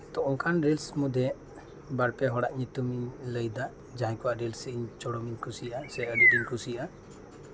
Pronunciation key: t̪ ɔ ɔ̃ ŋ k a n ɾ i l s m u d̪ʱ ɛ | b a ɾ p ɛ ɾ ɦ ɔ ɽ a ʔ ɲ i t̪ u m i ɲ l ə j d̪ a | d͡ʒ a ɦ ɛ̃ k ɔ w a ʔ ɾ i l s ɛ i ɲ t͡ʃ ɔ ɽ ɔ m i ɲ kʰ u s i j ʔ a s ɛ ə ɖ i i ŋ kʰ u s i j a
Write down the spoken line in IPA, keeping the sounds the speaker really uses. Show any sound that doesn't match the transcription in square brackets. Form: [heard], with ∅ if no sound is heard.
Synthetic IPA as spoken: t̪ ɔ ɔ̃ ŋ k a n ɾ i l s m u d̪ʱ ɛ | b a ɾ p ɛ [∅] ɦ ɔ ɽ a ʔ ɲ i t̪ u m i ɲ l ə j d̪ a | d͡ʒ a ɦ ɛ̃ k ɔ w a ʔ ɾ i l s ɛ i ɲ t͡ʃ ɔ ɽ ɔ m i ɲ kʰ u s i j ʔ a s ɛ ə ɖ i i [ɲ] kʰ u s i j a